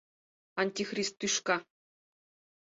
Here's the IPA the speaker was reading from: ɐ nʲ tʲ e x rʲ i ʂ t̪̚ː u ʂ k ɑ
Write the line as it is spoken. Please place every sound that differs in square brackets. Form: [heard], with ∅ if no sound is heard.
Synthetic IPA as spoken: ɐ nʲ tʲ [i] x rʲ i [s] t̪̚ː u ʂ k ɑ